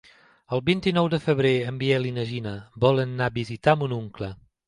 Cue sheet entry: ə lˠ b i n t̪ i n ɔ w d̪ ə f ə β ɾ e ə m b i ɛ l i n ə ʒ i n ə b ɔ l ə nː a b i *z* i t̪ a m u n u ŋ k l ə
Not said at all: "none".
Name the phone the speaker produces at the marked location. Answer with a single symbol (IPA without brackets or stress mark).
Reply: z